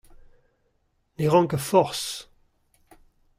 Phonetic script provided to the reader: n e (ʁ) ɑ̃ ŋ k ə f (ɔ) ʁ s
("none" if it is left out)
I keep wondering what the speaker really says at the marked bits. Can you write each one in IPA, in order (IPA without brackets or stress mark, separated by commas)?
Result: ʁ, ɔ